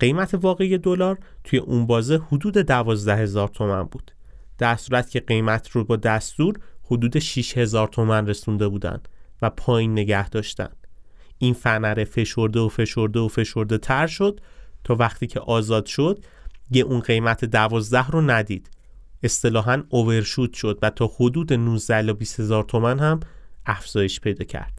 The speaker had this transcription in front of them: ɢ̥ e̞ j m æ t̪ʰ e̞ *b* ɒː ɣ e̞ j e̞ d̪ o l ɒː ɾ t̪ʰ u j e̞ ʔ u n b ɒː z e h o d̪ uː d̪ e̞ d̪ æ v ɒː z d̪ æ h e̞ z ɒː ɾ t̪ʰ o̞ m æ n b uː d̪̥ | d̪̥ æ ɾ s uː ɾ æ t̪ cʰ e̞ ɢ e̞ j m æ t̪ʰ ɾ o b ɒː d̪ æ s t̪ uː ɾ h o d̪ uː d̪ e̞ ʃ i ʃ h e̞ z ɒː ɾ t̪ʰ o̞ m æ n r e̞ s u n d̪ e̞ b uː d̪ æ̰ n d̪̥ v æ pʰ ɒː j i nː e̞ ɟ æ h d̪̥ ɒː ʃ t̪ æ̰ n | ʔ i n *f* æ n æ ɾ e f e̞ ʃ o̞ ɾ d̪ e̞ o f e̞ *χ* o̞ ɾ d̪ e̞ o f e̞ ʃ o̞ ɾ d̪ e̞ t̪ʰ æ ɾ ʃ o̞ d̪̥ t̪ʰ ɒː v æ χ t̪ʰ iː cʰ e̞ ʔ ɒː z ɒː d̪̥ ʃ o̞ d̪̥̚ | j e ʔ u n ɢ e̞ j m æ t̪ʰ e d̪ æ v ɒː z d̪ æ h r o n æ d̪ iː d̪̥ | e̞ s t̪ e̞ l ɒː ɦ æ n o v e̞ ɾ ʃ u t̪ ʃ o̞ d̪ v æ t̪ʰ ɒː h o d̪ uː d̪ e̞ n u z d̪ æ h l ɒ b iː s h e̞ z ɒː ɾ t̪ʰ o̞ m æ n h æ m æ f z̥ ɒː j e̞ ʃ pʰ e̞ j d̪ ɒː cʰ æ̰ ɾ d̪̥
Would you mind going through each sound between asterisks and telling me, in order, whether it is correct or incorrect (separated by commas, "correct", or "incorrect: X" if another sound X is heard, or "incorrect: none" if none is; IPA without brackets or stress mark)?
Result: incorrect: v, correct, incorrect: ʃ